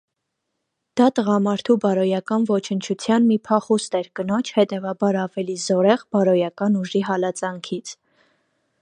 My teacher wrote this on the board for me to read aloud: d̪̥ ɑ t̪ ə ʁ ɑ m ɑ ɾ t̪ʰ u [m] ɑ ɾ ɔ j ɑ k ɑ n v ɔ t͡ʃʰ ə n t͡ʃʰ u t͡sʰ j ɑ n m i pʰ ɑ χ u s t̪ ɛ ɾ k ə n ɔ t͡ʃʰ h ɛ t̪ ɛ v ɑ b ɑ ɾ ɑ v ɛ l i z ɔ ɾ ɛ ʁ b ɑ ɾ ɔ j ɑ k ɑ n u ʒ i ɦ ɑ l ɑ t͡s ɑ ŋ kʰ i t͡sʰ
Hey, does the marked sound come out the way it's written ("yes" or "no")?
no